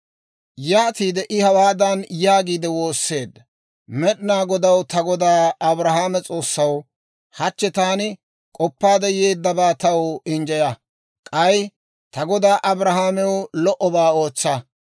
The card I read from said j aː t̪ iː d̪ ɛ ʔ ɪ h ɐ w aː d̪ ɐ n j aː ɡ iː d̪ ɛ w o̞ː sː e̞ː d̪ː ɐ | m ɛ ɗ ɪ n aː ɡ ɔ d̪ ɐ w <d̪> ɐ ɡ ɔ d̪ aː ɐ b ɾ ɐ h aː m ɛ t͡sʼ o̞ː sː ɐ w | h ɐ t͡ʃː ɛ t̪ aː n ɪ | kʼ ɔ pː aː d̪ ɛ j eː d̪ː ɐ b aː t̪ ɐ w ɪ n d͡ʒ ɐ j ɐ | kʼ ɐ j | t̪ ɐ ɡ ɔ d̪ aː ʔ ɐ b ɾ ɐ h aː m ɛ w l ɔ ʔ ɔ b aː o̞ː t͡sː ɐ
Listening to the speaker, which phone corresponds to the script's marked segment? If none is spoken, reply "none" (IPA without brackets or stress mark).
t̪